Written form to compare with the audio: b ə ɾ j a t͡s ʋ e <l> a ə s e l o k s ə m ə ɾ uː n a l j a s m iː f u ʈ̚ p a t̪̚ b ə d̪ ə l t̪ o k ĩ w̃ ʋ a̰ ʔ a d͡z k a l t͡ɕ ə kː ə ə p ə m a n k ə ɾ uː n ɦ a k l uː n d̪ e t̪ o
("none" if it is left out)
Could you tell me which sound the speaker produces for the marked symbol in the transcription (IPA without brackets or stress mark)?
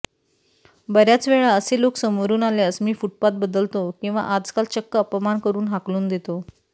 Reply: ɭ